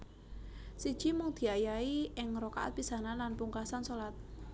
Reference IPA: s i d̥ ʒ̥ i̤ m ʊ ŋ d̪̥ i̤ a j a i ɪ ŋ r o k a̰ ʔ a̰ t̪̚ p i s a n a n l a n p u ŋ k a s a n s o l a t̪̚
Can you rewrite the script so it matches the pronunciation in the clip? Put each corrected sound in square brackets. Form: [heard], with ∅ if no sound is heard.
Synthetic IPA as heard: s i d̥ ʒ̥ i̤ m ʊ ŋ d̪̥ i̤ a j a i ɪ ŋ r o k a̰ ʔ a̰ t̪̚ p i s a n a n l a n p u ŋ k a s a n s o l a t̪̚